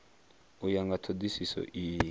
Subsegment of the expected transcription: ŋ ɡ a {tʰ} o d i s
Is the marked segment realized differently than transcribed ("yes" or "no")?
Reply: no